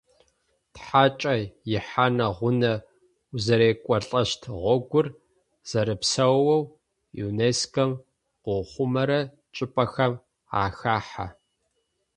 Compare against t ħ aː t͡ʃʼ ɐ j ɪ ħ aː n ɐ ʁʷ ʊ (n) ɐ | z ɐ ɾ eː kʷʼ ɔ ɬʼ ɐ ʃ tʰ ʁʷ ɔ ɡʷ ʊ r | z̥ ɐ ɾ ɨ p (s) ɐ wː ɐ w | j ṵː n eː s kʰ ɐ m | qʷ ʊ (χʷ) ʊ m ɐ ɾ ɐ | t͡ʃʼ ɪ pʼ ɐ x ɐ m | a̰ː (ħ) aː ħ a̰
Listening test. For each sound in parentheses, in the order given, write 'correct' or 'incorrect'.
correct, correct, correct, incorrect: x

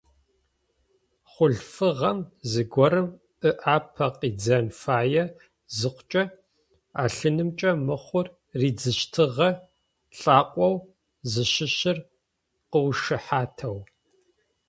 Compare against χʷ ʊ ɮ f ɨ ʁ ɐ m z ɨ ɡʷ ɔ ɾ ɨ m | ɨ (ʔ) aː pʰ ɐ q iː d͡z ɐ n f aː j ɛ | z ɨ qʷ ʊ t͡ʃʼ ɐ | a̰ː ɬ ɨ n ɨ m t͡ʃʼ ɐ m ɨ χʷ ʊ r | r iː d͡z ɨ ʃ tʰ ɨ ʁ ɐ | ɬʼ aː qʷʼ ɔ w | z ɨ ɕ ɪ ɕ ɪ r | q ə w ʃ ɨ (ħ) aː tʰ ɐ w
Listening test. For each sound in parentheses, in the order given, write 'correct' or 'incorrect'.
correct, correct

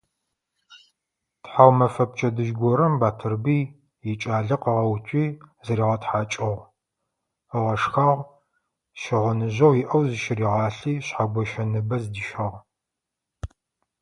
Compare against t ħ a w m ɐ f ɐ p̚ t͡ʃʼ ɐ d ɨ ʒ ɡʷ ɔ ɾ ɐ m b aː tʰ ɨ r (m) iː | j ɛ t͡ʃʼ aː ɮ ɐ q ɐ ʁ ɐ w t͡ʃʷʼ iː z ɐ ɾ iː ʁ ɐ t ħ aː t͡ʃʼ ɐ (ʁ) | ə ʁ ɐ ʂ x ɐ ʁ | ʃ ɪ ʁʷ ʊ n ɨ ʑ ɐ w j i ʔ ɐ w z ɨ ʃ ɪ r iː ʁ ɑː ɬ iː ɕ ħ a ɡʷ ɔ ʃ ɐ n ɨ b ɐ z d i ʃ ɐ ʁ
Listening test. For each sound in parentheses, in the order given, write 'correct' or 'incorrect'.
incorrect: b, correct

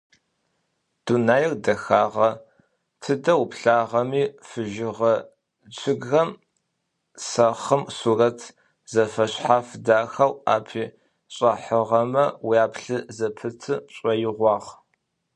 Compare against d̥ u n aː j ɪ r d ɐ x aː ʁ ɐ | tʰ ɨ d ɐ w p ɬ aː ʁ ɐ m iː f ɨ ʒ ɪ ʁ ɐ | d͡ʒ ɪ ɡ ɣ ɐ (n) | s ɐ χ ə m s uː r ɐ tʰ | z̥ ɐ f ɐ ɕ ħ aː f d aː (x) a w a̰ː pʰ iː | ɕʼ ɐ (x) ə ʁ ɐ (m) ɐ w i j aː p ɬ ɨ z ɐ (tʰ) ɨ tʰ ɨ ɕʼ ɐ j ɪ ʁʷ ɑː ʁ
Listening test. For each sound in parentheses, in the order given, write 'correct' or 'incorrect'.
incorrect: m, correct, incorrect: ħ, correct, incorrect: pʰ

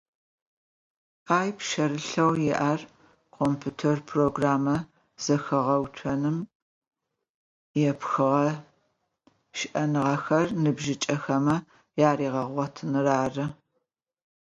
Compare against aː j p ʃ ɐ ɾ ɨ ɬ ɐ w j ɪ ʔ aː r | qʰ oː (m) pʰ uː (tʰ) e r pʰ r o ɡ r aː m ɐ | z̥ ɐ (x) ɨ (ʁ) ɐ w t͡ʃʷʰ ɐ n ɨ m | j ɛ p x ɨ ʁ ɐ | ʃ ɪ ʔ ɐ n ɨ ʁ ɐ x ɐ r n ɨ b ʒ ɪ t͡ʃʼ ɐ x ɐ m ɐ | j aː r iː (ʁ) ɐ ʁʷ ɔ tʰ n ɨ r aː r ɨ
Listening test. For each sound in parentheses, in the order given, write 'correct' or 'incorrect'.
correct, correct, correct, correct, correct

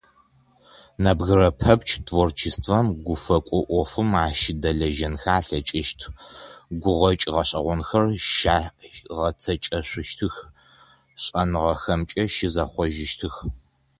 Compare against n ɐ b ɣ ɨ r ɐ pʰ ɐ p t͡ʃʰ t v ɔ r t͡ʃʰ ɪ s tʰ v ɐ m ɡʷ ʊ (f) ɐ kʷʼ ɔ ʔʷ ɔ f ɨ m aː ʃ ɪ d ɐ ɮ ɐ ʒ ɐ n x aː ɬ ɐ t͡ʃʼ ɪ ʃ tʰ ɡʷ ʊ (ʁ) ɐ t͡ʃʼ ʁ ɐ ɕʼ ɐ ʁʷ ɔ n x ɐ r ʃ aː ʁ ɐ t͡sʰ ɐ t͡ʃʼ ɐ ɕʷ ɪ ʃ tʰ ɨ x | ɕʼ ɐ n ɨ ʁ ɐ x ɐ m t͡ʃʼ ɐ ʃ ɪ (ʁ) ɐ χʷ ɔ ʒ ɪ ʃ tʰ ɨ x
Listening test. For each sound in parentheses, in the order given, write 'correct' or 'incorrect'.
correct, correct, incorrect: z

